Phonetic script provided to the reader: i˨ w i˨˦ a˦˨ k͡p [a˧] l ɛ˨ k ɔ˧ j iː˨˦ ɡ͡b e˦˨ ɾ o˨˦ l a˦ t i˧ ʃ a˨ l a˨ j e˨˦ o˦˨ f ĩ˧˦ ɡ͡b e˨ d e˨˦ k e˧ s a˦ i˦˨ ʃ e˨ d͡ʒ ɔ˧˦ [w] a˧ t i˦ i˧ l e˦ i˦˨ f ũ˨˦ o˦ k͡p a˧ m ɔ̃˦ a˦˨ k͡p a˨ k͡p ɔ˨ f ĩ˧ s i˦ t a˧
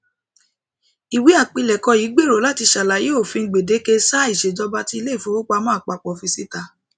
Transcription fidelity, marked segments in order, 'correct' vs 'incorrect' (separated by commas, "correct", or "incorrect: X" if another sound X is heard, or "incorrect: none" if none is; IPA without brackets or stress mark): incorrect: i˧, incorrect: b